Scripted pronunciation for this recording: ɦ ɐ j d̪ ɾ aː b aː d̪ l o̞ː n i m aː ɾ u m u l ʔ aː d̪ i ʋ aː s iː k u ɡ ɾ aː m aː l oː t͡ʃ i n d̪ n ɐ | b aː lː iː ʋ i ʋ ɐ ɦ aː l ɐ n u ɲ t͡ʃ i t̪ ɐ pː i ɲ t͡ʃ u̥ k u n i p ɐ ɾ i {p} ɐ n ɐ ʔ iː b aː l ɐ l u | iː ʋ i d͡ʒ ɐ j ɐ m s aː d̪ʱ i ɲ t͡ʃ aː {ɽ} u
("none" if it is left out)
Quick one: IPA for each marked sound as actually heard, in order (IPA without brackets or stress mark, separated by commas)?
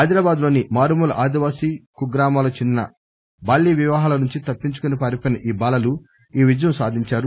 p, ɾ